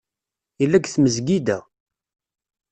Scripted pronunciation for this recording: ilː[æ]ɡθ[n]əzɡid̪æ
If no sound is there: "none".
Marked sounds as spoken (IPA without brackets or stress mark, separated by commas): æ, m